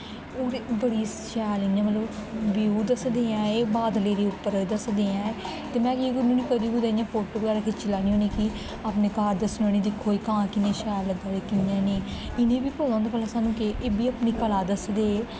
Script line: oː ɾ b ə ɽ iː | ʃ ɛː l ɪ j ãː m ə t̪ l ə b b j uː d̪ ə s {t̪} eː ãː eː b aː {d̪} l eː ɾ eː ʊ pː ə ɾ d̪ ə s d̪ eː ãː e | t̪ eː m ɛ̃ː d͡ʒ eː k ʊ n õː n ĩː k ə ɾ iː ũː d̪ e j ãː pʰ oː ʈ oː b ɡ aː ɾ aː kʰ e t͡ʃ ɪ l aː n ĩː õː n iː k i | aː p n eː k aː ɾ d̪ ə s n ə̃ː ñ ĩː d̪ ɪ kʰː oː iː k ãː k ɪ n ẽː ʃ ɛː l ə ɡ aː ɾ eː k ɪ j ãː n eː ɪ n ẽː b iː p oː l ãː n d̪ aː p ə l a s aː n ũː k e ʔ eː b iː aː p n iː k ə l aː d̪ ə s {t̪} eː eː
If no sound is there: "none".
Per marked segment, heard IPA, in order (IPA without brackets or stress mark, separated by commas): d̪, d̪, d̪